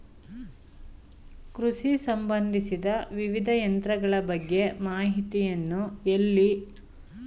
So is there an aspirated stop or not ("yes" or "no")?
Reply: no